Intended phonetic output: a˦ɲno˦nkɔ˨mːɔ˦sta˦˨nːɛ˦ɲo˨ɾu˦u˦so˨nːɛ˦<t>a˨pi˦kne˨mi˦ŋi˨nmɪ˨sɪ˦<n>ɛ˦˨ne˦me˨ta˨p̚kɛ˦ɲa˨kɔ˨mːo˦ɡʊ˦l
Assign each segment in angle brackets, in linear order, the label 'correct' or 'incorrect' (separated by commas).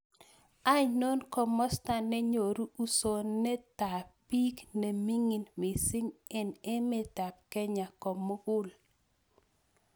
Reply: correct, incorrect